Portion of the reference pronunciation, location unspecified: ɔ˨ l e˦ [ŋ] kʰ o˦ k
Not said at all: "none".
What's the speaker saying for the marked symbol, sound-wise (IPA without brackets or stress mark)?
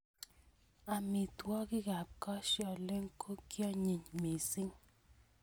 ŋ